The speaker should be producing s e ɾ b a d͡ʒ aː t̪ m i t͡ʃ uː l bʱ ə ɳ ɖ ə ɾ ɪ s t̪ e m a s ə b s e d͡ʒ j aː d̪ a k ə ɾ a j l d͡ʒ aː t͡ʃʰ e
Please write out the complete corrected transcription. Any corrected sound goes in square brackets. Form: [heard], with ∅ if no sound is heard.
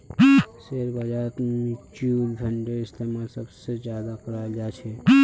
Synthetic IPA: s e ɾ b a d͡ʒ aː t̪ m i t͡ʃ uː l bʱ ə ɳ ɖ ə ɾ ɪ s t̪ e m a s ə b s e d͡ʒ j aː d̪ a k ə ɾ a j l d͡ʒ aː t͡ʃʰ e